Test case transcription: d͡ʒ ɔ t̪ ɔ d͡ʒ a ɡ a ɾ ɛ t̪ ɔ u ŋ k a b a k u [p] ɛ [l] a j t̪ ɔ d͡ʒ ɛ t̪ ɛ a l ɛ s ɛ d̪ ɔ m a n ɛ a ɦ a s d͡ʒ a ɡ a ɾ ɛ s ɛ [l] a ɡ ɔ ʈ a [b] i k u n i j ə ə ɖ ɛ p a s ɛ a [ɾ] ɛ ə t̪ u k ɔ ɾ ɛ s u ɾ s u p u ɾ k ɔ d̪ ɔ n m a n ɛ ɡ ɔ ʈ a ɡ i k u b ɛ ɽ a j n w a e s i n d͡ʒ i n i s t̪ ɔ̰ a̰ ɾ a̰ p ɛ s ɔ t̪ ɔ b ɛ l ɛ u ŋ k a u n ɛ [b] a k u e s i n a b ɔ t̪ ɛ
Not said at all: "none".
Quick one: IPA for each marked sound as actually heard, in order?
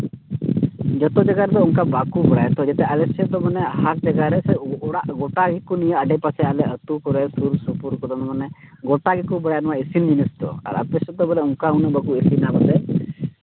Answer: b, ɽ, ɽ, ɡ, l, b

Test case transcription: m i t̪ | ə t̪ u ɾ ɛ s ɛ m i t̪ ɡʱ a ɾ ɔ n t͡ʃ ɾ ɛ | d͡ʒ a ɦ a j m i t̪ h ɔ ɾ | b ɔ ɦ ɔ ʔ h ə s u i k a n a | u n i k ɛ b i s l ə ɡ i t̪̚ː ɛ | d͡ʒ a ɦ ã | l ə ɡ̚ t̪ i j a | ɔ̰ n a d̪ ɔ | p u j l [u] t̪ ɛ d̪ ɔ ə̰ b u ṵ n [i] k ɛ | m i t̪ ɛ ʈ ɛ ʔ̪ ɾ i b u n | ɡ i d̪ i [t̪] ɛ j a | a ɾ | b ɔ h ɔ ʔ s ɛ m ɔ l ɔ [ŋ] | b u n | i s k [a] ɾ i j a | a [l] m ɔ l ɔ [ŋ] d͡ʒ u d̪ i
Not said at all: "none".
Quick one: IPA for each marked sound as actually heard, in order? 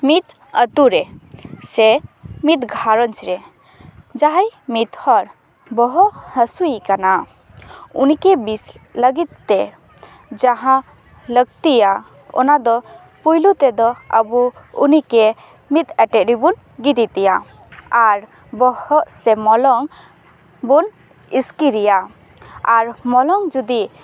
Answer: u, i, t̪, ŋ, i, ɾ, ŋ

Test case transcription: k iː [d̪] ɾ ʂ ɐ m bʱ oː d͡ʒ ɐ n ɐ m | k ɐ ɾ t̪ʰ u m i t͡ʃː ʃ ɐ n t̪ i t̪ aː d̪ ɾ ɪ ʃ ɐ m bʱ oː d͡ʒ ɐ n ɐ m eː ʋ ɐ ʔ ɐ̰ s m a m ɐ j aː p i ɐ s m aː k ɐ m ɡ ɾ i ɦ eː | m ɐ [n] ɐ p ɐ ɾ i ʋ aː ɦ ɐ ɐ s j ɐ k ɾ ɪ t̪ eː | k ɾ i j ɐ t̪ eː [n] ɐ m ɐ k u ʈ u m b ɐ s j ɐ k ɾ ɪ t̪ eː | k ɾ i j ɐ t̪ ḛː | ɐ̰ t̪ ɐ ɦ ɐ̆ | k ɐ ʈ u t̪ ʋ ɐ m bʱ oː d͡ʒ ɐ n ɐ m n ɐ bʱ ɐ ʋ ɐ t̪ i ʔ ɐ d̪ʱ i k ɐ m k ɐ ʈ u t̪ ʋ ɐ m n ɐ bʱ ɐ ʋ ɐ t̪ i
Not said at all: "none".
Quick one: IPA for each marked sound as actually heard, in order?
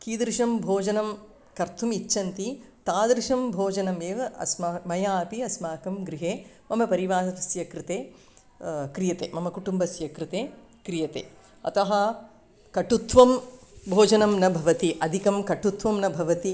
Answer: d̪, m, m

